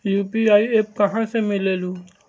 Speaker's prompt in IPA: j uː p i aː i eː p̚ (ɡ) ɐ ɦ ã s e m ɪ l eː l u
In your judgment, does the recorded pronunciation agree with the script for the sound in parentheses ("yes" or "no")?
no